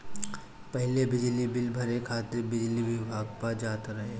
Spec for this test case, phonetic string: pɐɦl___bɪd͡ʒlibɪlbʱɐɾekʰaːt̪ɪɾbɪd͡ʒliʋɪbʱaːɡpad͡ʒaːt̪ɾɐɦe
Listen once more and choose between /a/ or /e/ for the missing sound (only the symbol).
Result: e